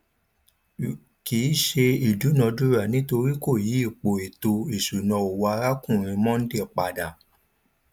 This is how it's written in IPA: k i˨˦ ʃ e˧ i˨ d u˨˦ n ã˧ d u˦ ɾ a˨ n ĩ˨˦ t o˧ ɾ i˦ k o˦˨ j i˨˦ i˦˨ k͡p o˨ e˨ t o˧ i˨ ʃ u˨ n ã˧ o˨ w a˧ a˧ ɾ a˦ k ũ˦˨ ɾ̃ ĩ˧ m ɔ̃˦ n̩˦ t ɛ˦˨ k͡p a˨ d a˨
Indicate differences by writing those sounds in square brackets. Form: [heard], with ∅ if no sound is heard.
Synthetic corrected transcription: k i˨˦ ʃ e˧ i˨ d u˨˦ n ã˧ d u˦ ɾ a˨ n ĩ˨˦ t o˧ ɾ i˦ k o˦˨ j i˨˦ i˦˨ k͡p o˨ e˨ t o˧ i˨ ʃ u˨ n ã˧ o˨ w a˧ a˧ ɾ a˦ k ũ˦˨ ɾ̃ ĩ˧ m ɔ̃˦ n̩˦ [d] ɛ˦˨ k͡p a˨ d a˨